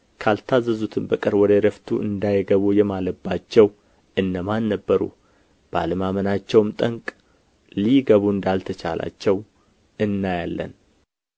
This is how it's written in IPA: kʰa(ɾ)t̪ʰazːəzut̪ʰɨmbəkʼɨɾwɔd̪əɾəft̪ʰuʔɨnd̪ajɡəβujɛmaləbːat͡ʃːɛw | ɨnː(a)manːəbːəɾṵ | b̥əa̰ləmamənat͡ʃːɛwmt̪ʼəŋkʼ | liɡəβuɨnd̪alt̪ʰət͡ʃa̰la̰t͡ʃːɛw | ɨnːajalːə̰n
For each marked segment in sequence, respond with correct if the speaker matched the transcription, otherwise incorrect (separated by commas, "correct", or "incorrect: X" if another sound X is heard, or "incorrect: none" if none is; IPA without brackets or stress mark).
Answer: incorrect: l, incorrect: ə